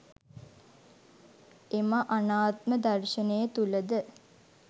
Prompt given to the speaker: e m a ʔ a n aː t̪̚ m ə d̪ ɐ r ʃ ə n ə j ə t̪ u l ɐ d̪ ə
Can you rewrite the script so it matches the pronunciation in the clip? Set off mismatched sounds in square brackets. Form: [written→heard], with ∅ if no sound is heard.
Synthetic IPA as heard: e m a ʔ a n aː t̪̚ m ə d̪ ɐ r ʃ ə n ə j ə t̪ u l [ɐ→ə] d̪ ə